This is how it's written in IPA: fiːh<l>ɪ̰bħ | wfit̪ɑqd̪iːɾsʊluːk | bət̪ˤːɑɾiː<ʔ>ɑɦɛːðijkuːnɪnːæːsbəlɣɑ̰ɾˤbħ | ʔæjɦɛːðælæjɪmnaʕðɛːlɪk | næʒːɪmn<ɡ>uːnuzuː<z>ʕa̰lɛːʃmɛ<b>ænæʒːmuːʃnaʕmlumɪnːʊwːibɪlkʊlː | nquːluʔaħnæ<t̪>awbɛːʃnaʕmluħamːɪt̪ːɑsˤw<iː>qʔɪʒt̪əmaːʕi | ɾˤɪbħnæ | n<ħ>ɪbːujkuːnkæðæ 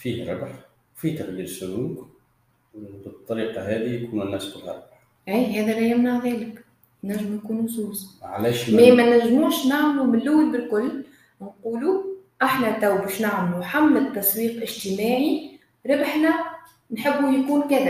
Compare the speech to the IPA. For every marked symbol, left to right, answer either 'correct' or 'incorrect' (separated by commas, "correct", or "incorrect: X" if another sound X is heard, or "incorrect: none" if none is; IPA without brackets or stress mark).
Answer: incorrect: ɾ, incorrect: q, incorrect: k, correct, incorrect: m, correct, correct, correct